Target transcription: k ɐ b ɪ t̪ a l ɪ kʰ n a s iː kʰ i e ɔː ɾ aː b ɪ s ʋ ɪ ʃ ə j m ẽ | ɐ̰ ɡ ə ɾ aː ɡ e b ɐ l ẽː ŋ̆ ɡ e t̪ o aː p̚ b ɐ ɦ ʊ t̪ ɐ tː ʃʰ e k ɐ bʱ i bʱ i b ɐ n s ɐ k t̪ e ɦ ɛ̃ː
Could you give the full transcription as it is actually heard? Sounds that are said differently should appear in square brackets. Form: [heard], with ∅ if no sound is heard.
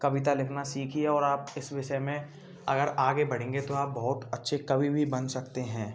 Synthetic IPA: k ɐ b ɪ t̪ a l ɪ kʰ n a s iː kʰ i e ɔː ɾ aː [p] ɪ s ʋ ɪ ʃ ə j m ẽ | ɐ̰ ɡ ə ɾ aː ɡ e b ɐ [ɽ] ẽː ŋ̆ ɡ e t̪ o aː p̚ b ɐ ɦ ʊ t̪ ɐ tː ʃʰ e k ɐ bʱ i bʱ i b ɐ n s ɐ k t̪ e ɦ ɛ̃ː